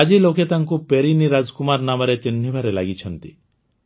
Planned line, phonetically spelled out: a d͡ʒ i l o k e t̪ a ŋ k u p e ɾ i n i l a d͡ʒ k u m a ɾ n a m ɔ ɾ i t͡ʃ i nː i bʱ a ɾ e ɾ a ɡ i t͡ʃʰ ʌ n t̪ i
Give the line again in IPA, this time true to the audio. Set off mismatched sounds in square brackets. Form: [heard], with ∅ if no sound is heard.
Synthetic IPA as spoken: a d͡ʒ i l o k e t̪ a ŋ k u p e ɾ i n i [ɾ] a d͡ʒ k u m a ɾ n a m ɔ ɾ [e] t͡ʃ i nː i bʱ a ɾ e [l] a ɡ i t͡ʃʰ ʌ n t̪ i